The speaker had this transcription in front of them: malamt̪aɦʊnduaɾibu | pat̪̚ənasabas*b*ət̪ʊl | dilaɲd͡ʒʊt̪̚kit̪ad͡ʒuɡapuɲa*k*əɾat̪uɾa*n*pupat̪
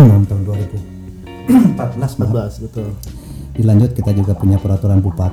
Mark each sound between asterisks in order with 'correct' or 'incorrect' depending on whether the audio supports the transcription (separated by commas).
correct, incorrect, correct